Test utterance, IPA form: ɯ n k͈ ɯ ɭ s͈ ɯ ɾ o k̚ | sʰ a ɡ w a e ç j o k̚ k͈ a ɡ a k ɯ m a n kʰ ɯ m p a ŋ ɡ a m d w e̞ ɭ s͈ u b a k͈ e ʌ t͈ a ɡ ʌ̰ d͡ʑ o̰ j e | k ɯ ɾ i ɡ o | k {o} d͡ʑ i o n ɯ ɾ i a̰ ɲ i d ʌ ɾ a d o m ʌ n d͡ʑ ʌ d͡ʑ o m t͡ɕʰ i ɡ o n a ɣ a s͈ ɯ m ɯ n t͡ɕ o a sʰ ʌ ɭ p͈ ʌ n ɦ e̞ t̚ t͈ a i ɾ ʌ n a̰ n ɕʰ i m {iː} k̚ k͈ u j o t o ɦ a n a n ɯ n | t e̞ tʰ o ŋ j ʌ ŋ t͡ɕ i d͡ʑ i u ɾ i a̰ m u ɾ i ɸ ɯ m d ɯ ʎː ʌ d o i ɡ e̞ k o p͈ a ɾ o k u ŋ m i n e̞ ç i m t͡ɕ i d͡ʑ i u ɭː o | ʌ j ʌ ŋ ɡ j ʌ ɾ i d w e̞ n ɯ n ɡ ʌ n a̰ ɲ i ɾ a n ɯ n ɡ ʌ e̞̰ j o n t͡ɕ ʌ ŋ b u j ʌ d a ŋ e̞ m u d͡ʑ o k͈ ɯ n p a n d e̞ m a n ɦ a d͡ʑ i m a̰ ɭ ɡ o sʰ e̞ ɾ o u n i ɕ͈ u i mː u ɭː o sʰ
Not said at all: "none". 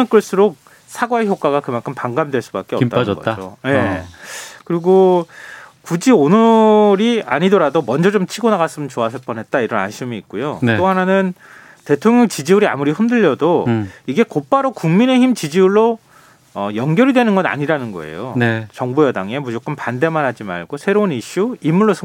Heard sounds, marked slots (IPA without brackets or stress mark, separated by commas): u, iː